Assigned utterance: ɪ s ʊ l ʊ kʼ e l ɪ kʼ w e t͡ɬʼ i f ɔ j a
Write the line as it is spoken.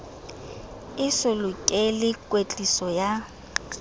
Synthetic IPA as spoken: ɪ s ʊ l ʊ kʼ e l ɪ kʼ w e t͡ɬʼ i s ɔ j a

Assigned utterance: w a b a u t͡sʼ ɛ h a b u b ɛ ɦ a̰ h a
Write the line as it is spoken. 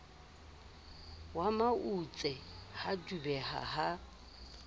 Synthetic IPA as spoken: w a m a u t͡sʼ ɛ h a d u b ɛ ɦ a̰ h a

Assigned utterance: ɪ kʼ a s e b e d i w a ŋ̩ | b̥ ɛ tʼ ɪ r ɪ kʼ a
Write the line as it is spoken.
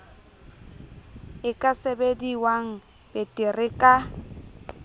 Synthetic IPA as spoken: ɪ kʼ a s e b e d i w a ŋ̩ | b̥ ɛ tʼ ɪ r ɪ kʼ a

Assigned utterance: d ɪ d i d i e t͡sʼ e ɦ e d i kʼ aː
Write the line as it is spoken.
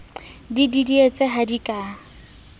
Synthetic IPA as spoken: d i d i d i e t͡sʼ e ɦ a d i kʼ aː

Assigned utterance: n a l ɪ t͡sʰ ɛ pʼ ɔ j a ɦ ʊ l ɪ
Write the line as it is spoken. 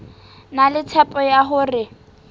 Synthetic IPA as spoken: n a l ɪ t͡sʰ ɛ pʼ ɔ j a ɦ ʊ r ɪ

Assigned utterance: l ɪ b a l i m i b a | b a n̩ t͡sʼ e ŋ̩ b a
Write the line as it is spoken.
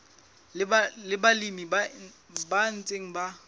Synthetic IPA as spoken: l ɪ b a l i m i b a | b a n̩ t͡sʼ e ŋ̩ b a

